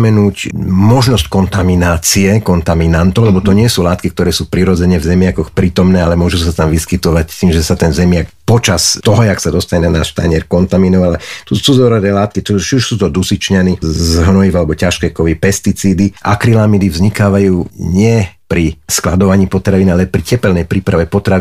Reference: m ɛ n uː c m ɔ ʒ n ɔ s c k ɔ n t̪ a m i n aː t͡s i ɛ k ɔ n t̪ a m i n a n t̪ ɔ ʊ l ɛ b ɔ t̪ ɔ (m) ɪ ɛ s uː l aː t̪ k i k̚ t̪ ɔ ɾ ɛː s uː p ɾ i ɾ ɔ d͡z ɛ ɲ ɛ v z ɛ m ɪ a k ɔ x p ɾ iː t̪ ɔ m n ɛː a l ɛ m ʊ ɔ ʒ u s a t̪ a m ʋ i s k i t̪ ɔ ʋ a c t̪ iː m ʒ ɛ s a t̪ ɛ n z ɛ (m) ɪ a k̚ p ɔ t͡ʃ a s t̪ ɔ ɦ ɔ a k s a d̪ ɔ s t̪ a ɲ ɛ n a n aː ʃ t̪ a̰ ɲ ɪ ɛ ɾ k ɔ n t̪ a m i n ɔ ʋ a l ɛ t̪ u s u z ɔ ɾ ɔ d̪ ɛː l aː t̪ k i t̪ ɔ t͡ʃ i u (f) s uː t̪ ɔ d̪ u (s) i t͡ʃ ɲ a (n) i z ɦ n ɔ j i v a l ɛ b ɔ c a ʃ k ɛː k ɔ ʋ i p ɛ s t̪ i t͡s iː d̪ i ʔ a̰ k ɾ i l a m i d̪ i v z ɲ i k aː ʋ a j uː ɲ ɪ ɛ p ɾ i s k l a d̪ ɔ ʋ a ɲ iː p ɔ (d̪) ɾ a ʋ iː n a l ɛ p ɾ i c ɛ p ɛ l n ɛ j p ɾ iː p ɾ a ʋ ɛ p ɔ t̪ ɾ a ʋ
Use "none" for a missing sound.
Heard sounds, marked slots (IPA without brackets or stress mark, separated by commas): ɲ, m, ʃ, s, n, t̪